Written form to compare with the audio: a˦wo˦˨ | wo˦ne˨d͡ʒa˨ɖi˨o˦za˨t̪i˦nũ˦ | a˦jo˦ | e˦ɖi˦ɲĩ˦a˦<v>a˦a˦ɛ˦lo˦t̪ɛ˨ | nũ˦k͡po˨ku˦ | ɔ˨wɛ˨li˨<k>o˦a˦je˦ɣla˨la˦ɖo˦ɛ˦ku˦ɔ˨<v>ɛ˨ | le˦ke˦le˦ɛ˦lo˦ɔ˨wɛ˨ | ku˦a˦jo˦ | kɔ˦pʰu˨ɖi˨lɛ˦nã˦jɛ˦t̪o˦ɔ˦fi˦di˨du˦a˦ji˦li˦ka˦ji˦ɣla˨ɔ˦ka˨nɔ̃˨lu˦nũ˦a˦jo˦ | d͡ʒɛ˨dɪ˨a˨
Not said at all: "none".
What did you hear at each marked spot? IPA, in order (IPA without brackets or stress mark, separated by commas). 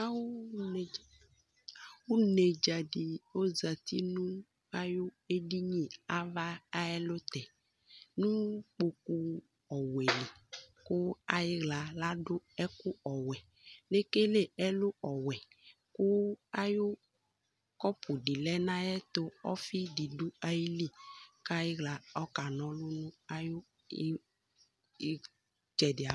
v, k, w